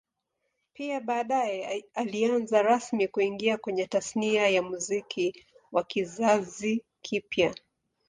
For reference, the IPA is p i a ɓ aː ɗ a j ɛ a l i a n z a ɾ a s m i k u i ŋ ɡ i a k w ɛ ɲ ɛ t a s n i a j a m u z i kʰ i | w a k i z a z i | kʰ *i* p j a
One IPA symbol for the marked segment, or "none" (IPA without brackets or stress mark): i